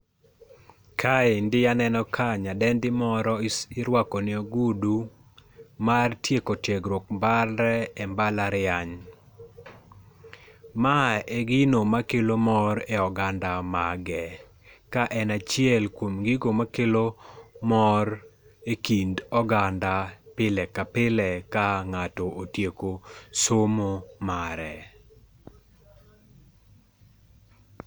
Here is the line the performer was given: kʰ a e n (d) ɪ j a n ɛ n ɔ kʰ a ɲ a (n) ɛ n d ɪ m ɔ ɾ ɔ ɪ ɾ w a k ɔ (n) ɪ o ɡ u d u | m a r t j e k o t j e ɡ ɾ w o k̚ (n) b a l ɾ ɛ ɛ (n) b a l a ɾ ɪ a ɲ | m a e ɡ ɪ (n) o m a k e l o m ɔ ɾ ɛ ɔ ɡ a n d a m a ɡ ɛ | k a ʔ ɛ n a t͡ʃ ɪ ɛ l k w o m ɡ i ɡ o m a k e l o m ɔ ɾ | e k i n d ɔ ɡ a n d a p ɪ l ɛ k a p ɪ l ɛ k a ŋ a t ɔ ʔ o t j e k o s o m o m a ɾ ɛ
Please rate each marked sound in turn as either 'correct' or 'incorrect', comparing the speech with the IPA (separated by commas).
correct, incorrect, correct, incorrect, incorrect, correct